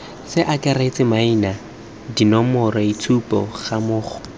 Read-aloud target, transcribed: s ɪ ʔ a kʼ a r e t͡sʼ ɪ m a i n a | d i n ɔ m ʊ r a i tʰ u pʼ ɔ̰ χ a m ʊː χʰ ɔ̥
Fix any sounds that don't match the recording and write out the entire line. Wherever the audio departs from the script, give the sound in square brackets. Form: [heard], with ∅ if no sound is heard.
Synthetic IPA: s ɪ ʔ a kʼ a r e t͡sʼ ɪ m a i n a | d i n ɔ m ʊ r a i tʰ u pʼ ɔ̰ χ a m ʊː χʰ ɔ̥